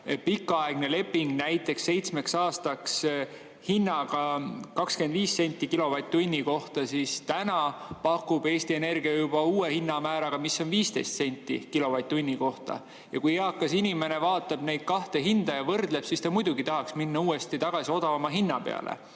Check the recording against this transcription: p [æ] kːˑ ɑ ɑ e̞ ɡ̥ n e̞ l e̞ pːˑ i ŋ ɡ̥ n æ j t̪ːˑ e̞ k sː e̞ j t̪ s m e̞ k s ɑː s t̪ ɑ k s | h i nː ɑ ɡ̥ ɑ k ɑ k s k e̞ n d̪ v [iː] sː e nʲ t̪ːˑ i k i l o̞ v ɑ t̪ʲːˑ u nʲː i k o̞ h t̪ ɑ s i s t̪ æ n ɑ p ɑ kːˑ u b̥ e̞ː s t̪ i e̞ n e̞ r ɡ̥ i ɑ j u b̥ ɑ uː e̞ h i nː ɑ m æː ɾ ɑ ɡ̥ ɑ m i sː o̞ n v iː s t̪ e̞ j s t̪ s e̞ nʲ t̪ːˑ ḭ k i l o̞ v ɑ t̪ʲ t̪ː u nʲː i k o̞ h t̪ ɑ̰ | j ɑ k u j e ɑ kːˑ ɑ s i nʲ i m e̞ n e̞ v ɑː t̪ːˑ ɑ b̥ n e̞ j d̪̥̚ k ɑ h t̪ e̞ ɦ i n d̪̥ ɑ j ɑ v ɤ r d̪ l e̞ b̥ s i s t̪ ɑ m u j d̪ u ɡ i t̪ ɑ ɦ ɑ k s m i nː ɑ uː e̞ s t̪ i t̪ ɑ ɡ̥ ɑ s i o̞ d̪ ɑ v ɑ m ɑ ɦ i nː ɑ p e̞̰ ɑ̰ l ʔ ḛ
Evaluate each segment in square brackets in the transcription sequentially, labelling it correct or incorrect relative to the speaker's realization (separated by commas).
incorrect, correct